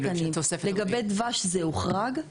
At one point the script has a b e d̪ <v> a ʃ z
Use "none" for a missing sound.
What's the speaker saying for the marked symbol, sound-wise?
v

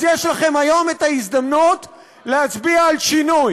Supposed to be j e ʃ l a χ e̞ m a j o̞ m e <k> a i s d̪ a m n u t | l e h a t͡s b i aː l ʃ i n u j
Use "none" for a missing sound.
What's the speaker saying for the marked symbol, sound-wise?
t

